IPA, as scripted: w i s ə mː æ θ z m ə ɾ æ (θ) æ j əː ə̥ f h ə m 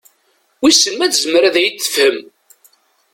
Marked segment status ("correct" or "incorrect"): incorrect